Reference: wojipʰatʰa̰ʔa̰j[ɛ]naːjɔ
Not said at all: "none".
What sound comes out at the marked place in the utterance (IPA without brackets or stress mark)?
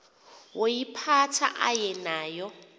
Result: ɛ